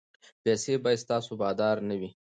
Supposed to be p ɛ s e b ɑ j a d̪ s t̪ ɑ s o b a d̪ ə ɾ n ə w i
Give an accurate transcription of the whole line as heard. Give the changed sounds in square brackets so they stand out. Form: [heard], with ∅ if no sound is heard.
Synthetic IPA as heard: p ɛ s e b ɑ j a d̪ s t̪ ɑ s o b [ɑ] d̪ [ɑ] ɾ n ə w i